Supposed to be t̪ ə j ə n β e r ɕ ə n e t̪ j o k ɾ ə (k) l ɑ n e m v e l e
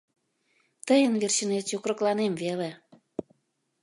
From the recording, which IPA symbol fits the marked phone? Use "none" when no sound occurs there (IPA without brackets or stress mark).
k